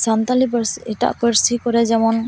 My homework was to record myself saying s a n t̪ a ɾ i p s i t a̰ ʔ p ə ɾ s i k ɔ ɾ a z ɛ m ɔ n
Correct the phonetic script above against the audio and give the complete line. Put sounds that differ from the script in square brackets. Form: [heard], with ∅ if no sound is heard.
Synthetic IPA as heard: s a n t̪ a [l] i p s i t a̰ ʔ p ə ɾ s i k ɔ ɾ [ɛ] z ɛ m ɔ n